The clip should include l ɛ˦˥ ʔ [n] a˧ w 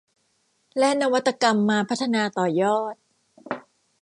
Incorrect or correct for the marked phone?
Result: correct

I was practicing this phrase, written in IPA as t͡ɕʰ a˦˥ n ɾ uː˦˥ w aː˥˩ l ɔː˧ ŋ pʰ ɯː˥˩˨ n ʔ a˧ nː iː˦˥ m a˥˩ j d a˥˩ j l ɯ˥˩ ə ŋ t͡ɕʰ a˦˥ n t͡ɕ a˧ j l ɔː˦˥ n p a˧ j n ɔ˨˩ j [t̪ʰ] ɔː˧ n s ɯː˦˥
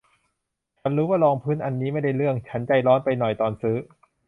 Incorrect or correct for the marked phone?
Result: incorrect: t̪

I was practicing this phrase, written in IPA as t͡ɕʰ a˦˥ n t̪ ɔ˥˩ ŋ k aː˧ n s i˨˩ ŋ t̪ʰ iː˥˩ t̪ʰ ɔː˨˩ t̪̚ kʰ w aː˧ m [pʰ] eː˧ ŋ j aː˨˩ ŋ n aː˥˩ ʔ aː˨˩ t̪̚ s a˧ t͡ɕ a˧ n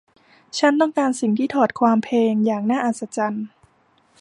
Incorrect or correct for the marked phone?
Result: correct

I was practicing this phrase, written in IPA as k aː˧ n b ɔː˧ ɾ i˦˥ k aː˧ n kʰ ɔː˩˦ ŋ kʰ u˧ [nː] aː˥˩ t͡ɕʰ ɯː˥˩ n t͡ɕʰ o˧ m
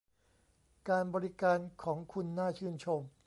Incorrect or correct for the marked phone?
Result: correct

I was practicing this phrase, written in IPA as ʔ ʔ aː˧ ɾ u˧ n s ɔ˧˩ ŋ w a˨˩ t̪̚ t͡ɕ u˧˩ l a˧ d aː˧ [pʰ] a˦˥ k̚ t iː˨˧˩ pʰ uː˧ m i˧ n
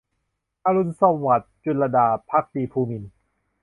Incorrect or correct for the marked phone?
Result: correct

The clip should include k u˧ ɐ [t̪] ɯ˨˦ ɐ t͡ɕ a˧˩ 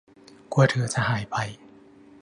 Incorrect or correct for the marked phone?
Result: incorrect: t̪ʰ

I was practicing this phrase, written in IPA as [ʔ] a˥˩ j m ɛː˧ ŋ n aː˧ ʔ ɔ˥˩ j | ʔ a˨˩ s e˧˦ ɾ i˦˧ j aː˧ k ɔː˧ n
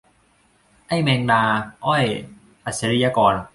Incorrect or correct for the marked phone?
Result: correct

